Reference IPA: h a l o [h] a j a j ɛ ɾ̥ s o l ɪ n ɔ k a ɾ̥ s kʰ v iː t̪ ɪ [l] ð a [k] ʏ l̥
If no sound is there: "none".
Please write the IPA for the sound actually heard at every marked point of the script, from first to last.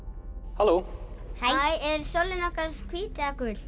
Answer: h, none, k

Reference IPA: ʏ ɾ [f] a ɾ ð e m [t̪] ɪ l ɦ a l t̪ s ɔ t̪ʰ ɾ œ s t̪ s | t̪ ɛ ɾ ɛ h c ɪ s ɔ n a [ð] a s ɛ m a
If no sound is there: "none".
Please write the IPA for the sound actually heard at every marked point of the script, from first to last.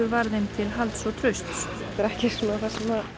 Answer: v, t̪ʰ, θ

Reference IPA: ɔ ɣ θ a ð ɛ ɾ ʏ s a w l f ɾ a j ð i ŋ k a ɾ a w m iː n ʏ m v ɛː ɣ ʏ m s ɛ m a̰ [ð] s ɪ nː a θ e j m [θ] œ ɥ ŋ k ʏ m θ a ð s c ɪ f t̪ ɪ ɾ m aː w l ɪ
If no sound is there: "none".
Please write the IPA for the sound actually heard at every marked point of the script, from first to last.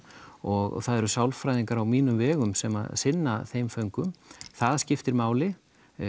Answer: ð, f

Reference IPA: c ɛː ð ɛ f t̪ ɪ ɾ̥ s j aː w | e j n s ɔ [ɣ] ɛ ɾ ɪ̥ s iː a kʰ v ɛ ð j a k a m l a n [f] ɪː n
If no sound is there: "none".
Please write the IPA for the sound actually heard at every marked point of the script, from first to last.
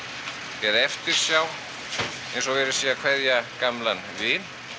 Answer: v, v

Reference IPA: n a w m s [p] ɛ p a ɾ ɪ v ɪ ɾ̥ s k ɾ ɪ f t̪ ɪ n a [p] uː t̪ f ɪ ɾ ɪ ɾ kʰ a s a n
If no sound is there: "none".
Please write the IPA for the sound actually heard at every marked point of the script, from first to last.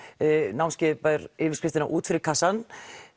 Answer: c, ʔ

